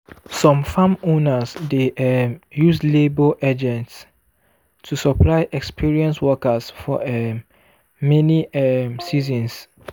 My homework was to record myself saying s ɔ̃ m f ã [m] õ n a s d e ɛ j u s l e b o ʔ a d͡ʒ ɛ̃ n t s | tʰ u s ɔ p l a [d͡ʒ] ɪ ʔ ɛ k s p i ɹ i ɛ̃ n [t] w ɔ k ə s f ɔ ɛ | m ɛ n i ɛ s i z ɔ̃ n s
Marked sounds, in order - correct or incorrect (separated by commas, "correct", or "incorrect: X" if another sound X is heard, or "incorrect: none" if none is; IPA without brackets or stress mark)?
correct, incorrect: none, incorrect: s